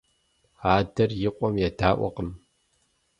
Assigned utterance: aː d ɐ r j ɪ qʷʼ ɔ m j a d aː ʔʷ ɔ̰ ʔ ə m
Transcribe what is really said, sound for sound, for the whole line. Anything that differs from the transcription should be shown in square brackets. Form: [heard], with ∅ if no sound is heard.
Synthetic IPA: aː d ɐ r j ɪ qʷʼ ɔ m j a d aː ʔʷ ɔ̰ [q] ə m